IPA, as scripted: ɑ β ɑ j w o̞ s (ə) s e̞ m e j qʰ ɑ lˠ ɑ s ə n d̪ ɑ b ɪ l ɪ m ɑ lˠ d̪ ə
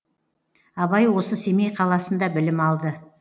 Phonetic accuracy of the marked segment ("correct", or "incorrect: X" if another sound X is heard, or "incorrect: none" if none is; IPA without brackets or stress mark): correct